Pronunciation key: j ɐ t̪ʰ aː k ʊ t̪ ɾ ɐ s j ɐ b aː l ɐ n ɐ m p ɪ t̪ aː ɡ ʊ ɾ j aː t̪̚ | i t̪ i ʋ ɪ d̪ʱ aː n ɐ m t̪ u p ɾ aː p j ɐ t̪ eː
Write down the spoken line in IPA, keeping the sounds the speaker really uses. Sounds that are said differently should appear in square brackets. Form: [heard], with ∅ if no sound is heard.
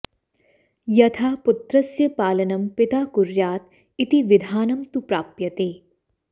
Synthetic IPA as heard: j ɐ t̪ʰ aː [p] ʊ t̪ ɾ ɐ s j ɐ [p] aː l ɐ n ɐ m p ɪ t̪ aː [k] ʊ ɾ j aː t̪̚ | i t̪ i ʋ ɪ d̪ʱ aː n ɐ m t̪ u p ɾ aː p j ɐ t̪ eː